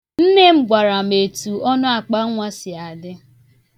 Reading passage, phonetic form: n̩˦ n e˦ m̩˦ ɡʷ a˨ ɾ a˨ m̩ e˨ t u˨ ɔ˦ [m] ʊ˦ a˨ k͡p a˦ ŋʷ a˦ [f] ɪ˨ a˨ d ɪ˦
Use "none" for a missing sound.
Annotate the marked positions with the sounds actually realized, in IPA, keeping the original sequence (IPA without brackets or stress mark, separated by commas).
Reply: n, s